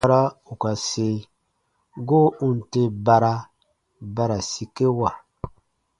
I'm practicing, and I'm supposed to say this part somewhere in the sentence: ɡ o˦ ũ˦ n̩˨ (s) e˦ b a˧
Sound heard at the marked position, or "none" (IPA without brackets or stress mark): t